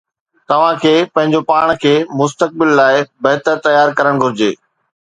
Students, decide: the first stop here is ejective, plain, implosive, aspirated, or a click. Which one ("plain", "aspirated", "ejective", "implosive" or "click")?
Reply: plain